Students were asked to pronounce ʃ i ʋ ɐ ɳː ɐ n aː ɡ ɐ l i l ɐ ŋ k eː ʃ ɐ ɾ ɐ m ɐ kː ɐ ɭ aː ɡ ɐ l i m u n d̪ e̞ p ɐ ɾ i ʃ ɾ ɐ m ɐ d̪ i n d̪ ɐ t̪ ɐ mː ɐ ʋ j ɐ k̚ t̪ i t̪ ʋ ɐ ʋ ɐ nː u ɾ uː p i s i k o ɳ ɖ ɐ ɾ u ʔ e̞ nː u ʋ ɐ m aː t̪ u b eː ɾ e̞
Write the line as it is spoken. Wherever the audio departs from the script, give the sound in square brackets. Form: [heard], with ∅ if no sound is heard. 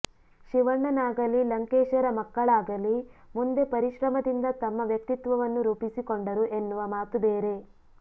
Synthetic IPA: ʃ i ʋ ɐ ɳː ɐ n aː ɡ ɐ l i l ɐ ŋ k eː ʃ ɐ ɾ ɐ m ɐ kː ɐ ɭ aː ɡ ɐ l i m u n d̪ e̞ p ɐ ɾ i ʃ ɾ ɐ m ɐ d̪ i n d̪ ɐ t̪ ɐ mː ɐ ʋ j ɐ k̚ t̪ i t̪ ʋ ɐ ʋ ɐ nː u ɾ uː p i s i k o ɳ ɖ ɐ ɾ u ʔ e̞ nː u ʋ ɐ m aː t̪ u b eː ɾ e̞